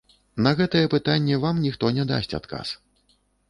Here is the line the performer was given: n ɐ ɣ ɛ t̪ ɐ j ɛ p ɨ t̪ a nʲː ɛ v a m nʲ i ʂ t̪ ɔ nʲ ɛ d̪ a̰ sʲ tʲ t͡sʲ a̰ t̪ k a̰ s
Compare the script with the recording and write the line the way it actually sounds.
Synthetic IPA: n ɐ ɣ ɛ t̪ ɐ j ɛ p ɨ t̪ a nʲː ɛ v a m nʲ i x t̪ ɔ nʲ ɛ d̪ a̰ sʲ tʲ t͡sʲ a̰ t̪ k a̰ s